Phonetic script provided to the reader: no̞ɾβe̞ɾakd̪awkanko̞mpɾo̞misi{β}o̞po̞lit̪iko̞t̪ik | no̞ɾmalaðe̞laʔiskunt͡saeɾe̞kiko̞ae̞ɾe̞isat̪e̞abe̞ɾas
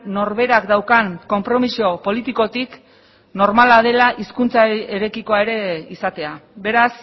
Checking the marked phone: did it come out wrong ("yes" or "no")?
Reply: yes